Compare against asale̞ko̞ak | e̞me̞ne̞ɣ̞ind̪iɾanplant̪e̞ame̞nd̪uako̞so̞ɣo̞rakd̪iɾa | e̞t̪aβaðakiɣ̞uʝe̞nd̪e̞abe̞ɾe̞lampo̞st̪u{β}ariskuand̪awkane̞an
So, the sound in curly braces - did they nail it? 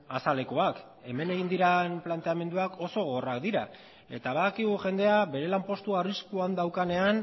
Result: no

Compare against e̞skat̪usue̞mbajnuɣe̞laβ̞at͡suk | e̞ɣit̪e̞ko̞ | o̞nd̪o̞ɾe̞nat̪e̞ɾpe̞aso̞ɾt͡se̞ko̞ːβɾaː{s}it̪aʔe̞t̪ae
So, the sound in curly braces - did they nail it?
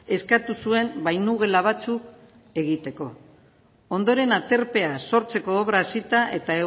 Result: yes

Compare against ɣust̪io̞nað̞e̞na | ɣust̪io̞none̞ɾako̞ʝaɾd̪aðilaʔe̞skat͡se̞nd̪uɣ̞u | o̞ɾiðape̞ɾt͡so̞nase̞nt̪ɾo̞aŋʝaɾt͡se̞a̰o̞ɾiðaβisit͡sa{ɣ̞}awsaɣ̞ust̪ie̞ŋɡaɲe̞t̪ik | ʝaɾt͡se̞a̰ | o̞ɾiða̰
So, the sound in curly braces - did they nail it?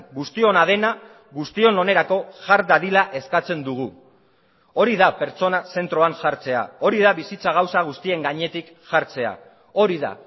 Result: yes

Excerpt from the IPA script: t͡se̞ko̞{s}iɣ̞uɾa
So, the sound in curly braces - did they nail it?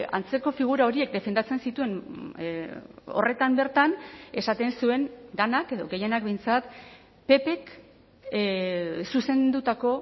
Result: no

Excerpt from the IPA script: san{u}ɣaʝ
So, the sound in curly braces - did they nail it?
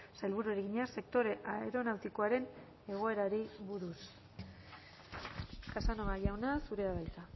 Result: no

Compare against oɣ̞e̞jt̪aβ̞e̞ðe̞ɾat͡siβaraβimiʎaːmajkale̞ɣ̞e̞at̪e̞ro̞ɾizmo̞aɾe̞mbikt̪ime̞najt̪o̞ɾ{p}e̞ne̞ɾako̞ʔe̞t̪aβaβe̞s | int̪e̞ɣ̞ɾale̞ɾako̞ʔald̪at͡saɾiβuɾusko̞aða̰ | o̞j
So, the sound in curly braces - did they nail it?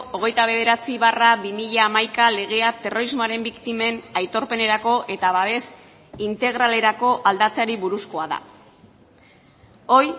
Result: yes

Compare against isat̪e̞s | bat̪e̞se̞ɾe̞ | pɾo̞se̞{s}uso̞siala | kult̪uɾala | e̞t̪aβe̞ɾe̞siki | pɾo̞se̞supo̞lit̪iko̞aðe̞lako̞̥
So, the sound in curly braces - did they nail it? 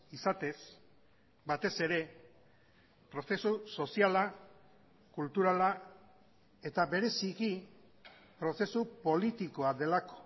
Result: yes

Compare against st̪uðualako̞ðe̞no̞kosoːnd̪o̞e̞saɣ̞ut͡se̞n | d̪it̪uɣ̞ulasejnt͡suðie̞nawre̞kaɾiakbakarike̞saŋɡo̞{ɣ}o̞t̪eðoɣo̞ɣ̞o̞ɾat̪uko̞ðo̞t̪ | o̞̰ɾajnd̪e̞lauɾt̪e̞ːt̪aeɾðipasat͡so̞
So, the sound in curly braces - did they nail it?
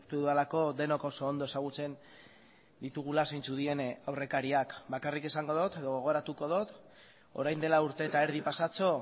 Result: no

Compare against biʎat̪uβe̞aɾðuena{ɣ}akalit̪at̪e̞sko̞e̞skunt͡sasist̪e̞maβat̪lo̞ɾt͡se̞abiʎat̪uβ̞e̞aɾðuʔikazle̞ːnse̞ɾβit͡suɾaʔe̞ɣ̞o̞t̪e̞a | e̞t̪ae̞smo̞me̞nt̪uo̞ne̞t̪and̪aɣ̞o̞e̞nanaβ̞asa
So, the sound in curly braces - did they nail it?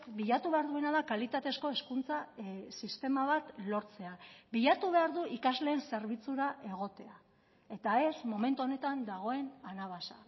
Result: no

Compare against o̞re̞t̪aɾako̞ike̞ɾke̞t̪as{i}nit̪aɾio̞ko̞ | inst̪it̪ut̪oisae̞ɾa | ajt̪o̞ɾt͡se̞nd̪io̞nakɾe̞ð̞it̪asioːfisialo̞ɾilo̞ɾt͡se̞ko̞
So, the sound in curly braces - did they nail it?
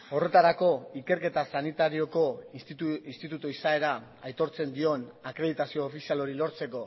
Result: no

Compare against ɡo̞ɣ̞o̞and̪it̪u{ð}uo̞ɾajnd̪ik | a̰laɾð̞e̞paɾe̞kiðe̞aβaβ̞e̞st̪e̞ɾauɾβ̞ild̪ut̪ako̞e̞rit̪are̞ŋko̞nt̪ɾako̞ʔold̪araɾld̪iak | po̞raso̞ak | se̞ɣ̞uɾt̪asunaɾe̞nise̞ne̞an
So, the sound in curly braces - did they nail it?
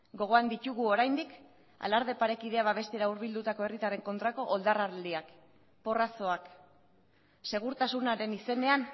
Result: no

